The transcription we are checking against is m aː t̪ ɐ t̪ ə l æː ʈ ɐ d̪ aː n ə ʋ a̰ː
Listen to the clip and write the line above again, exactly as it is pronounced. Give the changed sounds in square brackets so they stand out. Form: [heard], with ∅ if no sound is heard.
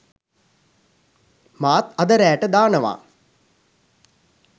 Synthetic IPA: m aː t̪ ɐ [d̪] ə [ɾ] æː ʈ [ə] d̪ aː n ə ʋ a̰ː